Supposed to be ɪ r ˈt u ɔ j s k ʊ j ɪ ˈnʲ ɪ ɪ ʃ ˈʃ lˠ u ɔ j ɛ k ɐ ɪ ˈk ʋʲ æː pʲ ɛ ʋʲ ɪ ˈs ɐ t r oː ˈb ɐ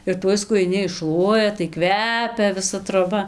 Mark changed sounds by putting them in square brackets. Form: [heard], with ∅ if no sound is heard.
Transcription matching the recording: ɪ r ˈt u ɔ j s k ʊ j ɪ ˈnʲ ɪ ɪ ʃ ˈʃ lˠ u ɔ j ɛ [t] ɐ ɪ ˈk ʋʲ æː pʲ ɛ ʋʲ ɪ ˈs ɐ t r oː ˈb ɐ